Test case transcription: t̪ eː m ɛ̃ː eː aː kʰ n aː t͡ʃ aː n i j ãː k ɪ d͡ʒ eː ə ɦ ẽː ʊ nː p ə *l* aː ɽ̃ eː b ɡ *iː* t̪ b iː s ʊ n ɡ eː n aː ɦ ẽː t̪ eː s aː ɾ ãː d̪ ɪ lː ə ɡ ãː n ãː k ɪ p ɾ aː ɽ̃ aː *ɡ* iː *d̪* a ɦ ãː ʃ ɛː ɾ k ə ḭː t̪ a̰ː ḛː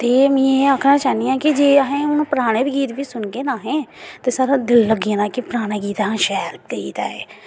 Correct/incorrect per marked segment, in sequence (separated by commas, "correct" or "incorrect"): incorrect, correct, correct, incorrect